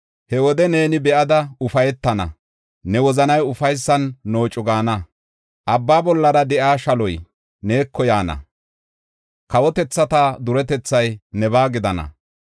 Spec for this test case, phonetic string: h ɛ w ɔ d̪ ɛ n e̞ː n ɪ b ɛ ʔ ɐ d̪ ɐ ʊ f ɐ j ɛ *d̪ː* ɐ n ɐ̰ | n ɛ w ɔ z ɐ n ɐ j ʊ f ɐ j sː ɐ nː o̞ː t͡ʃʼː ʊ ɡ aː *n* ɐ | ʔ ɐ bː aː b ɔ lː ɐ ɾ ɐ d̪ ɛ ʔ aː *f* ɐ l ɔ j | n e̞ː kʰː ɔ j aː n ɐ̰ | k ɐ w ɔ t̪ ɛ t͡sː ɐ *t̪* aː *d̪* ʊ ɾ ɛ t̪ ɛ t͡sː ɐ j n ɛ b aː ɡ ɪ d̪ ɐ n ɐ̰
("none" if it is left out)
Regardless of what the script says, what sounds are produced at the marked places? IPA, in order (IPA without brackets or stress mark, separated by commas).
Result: t̪ː, n, ʃ, t̪, d̪